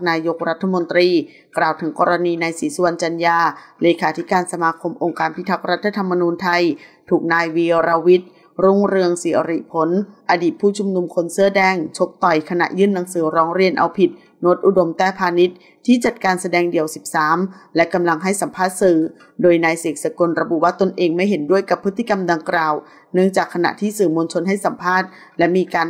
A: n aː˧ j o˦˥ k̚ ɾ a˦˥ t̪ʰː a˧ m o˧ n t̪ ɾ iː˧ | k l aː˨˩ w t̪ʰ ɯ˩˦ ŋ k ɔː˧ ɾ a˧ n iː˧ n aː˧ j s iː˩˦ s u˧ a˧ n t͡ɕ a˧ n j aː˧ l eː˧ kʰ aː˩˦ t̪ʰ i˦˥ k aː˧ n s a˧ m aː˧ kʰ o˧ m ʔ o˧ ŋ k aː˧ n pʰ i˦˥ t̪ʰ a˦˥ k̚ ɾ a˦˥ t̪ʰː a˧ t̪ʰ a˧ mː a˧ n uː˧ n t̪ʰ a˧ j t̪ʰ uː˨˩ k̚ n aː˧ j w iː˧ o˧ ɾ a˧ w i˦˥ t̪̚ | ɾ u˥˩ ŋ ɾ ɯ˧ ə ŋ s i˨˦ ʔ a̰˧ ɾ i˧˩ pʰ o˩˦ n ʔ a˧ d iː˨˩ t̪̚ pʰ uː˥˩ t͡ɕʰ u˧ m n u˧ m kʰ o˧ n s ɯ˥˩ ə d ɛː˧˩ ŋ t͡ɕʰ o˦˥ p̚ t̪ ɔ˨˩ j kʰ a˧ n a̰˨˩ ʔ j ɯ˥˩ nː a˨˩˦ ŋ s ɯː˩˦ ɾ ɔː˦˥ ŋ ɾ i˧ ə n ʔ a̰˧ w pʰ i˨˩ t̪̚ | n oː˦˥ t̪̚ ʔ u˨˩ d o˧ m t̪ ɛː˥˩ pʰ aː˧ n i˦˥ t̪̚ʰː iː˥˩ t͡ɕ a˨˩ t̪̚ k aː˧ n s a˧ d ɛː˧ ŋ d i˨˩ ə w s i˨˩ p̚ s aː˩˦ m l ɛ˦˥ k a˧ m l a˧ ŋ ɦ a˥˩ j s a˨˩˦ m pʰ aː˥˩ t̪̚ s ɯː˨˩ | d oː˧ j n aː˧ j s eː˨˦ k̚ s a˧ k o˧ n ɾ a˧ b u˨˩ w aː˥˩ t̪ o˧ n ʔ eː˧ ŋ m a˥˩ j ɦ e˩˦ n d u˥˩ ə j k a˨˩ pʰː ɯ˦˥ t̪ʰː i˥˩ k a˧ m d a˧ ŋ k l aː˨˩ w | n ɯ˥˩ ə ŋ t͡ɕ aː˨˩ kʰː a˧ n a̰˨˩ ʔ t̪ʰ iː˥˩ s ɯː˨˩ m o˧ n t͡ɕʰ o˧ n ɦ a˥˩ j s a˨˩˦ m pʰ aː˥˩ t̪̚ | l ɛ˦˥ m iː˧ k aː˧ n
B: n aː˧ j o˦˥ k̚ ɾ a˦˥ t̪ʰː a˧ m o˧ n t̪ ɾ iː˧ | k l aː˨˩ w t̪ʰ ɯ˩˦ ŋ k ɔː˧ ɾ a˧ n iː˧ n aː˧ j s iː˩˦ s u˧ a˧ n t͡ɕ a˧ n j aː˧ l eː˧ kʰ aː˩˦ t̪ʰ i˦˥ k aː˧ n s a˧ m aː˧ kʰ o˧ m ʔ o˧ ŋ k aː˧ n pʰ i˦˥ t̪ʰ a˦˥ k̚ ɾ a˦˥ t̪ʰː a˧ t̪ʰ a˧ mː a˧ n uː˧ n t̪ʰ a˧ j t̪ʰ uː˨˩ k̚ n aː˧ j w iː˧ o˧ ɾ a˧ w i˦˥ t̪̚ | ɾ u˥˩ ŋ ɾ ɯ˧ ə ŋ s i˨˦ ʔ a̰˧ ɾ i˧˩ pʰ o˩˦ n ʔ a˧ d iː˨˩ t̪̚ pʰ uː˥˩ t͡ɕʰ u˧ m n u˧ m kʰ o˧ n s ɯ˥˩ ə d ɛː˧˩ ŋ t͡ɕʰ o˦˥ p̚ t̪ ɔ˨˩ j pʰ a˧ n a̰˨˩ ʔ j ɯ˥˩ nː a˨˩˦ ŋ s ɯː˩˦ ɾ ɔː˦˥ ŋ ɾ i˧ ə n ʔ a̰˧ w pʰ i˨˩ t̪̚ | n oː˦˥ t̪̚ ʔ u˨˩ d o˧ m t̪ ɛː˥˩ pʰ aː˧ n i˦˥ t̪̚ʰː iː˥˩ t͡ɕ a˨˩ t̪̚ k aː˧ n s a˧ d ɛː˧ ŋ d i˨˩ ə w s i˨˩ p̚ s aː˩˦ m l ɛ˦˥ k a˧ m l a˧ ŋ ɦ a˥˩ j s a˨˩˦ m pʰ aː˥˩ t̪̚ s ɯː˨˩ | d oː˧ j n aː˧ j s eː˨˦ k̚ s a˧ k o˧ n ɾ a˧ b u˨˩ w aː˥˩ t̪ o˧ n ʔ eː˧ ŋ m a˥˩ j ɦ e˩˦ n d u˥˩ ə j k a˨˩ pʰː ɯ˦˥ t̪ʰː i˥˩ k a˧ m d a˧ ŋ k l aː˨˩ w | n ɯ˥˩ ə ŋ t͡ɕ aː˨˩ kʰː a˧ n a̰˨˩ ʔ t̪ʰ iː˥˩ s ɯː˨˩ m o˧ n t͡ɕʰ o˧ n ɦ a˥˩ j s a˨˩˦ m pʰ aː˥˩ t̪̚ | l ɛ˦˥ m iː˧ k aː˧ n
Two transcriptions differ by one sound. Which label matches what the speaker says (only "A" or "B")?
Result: A